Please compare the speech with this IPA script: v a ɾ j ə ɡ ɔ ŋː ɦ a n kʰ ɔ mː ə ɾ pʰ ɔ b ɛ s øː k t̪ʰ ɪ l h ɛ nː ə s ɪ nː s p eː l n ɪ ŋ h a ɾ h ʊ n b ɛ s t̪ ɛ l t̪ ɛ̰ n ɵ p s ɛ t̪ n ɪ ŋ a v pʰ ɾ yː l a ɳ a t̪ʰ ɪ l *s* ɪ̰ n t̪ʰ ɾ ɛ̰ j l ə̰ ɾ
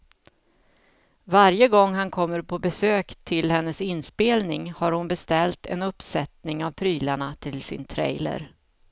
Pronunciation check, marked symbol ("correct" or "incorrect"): correct